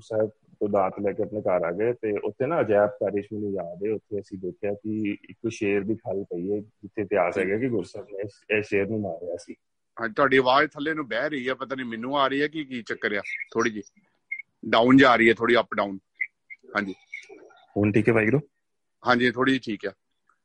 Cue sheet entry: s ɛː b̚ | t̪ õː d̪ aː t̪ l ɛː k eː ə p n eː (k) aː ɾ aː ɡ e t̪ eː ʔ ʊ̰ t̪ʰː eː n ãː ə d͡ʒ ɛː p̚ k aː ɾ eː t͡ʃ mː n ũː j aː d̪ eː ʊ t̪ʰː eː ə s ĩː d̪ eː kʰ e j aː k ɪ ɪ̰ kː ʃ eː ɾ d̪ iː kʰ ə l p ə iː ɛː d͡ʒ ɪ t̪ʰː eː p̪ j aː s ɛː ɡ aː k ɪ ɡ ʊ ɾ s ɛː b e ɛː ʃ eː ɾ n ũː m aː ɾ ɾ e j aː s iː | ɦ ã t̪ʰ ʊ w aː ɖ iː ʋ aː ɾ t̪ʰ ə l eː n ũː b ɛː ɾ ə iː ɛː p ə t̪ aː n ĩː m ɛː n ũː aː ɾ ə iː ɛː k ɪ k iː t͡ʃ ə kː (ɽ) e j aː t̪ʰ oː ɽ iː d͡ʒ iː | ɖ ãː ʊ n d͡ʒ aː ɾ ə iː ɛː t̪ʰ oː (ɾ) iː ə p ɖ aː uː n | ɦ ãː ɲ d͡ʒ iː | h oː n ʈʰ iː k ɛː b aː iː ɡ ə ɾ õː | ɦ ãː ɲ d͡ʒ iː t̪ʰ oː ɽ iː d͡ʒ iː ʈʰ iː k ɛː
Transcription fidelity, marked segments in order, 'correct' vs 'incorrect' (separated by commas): correct, incorrect, incorrect